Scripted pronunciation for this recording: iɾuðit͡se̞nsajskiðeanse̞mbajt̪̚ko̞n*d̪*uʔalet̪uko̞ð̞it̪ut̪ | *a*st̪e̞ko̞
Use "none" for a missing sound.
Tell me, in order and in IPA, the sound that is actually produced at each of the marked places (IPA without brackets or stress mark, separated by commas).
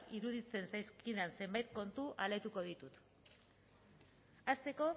t̪, a